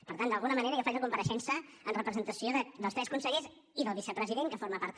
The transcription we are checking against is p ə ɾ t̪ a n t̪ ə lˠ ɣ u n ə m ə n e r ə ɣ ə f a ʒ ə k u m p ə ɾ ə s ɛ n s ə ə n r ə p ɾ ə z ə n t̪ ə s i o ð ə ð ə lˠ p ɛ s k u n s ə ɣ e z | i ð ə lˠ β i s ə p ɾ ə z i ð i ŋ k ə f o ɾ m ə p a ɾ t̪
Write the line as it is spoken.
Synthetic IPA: p ə ɾ t̪ a n d̪ ə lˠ ɣ u n ə m ə n e ɾ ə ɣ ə f a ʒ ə k u m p ə ɾ ə ʃ ɛ n s ə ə n r ə p ɾ ə z ə n t̪ ə s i o ð ə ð ə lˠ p ɛ s k u n s ə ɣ e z | i ð ə lˠ β i s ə p ɾ ə z i ð e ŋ k ə f o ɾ m ə p a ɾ t̪